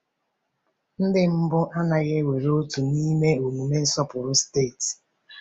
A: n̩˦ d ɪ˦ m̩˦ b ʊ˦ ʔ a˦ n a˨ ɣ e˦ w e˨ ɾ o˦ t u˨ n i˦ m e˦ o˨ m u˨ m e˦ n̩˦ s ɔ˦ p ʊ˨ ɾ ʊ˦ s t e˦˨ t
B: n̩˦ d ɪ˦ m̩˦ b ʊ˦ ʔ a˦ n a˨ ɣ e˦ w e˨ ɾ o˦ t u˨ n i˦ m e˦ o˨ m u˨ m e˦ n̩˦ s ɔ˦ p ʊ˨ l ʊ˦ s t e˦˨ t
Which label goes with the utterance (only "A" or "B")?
A